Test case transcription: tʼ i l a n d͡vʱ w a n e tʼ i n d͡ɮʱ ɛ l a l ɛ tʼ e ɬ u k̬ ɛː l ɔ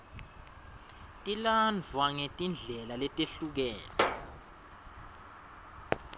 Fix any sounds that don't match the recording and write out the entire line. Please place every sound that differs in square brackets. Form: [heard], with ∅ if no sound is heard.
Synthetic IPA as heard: tʼ i l a n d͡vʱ w a [ŋ] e tʼ i n d͡ɮʱ ɛ l a l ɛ tʼ e ɬ u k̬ ɛː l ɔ